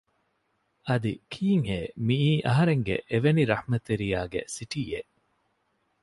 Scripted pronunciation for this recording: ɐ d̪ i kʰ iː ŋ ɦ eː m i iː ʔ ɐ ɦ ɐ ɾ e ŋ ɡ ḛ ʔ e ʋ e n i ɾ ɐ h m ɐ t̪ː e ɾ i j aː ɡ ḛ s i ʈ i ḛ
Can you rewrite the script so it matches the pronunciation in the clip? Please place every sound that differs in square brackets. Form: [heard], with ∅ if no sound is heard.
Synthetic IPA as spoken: ɐ d̪ i kʰ iː ŋ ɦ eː m i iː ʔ ɐ ɦ ɐ ɾ e ŋ ɡ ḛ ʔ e ʋ e n i ɾ ɐ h m ɐ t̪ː e ɾ i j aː ɡ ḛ s i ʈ i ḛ